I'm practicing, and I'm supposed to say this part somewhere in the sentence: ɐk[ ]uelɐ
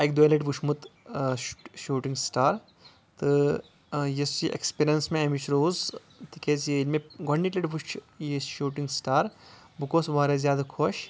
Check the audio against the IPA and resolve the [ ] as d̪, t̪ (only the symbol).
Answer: d̪